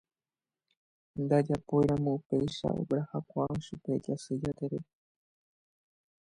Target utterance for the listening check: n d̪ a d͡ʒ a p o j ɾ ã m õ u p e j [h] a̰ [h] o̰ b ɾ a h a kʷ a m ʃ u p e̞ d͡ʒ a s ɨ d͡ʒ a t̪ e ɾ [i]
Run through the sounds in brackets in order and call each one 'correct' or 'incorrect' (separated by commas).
incorrect, incorrect, incorrect